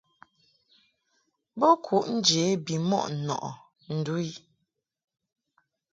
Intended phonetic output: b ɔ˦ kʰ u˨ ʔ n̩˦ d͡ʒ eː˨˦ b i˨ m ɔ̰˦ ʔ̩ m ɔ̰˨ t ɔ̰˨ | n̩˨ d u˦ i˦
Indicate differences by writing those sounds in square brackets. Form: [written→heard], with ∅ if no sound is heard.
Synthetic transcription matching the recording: b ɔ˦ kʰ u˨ ʔ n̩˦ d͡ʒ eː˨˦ b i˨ m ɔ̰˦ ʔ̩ [m→n] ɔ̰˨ [t→ʔ] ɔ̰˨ | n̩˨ d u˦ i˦